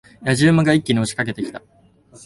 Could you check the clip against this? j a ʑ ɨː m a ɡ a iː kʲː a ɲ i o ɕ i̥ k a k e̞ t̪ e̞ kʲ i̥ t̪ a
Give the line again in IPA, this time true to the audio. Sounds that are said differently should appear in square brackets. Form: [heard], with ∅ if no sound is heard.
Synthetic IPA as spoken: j a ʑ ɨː m a ɡ a [i] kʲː [i] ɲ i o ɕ i̥ k a k e̞ t̪ e̞ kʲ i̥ t̪ a